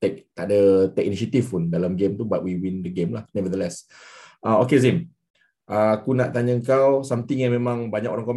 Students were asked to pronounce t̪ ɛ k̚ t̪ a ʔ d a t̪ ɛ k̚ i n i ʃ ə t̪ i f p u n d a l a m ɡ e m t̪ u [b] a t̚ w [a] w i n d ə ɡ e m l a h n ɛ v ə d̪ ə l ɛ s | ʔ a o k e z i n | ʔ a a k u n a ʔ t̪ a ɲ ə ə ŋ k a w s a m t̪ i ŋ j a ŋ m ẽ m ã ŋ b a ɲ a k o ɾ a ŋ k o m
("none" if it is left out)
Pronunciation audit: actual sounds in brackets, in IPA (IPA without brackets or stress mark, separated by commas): b, i